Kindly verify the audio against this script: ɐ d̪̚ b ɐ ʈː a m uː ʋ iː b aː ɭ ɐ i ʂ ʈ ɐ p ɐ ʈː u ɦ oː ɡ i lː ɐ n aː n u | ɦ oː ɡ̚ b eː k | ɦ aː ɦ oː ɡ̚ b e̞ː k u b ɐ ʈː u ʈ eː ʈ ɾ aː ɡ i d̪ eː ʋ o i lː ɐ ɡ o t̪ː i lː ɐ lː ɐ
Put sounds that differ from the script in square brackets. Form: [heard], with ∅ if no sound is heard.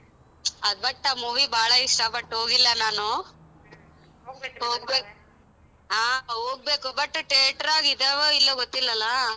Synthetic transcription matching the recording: ɐ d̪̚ b ɐ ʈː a m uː ʋ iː b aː ɭ ɐ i ʂ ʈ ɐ p ɐ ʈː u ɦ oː ɡ i lː ɐ n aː n u | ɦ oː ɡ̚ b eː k | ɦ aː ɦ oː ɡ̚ b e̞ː k u b ɐ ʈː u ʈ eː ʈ ɾ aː ɡ i d̪ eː ʋ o i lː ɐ ɡ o t̪ː i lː ɐ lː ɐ